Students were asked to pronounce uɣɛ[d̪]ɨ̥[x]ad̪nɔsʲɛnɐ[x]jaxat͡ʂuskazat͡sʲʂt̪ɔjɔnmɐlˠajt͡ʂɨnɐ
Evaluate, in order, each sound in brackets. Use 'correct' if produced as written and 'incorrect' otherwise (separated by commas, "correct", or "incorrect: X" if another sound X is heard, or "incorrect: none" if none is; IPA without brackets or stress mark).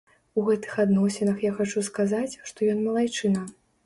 incorrect: t̪, correct, correct